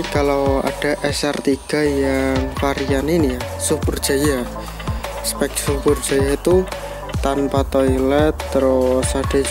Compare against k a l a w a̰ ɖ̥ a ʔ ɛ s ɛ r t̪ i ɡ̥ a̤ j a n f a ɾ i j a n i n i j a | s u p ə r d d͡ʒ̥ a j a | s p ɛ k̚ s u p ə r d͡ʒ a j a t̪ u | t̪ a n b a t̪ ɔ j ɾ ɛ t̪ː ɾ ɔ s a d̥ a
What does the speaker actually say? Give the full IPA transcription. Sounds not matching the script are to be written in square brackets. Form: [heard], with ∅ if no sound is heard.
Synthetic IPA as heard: k a l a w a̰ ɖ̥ a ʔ ɛ s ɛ r t̪ i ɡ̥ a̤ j a [ŋ] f a ɾ i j a n i n i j a | s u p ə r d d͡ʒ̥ a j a | s p ɛ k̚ s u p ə r d͡ʒ a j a t̪ u | t̪ a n [p] a t̪ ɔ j [l] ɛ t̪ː ɾ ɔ s a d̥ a